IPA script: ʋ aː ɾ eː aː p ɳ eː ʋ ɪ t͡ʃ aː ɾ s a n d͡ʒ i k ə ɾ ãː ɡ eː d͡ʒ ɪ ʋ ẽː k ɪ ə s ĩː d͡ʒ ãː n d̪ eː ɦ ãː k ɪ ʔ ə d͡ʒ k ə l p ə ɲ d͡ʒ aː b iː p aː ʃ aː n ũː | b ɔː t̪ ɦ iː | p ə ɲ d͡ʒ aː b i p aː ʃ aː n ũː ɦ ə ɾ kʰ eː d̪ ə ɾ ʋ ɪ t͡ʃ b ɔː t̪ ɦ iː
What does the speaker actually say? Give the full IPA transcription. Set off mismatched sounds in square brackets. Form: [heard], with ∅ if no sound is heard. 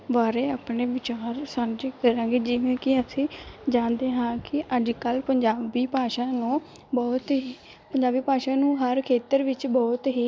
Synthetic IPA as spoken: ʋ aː ɾ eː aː p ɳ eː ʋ ɪ t͡ʃ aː ɾ s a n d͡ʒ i k ə ɾ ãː ɡ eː d͡ʒ ɪ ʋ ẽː k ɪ ə s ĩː d͡ʒ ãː n d̪ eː ɦ ãː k ɪ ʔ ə d͡ʒ k ə l p ə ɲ d͡ʒ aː b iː p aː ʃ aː n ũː | b ɔː t̪ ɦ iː | p ə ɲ d͡ʒ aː b [iː] p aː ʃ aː n ũː ɦ ə ɾ kʰ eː [t̪] ə ɾ ʋ ɪ t͡ʃ b ɔː t̪ ɦ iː